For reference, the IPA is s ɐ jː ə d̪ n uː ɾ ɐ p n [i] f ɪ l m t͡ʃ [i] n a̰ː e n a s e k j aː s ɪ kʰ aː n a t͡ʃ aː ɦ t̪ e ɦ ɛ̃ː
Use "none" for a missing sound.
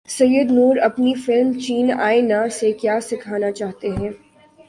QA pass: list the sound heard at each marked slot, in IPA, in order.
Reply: i, iː

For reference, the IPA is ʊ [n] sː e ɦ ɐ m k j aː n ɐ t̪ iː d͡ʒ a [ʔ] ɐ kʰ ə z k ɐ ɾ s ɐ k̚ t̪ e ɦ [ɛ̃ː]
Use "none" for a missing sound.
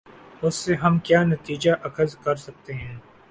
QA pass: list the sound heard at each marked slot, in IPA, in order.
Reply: none, ʔ, ɛ̃ː

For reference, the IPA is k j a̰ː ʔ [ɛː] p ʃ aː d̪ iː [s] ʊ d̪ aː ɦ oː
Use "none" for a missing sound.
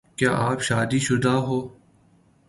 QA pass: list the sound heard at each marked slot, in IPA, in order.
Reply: aː, ʃ

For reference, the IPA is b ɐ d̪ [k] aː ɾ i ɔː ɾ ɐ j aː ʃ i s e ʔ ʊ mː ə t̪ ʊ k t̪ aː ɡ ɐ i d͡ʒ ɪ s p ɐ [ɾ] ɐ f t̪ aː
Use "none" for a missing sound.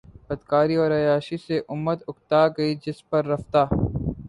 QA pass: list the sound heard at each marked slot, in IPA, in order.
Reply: k, ɾː

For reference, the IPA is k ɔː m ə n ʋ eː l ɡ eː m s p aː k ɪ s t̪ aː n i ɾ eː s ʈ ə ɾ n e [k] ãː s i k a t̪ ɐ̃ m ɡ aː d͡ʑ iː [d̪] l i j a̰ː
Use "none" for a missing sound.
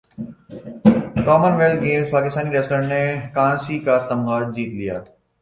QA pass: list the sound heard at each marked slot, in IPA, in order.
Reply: k, t̪

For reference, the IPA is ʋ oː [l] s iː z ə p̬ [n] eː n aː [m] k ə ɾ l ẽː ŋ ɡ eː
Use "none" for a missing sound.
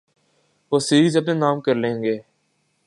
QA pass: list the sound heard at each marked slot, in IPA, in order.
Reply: none, n, m

